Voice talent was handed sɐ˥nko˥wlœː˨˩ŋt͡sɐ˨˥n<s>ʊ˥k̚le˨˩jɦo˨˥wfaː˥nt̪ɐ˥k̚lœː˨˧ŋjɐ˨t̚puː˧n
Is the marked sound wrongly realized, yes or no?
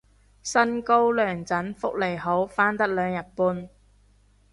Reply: yes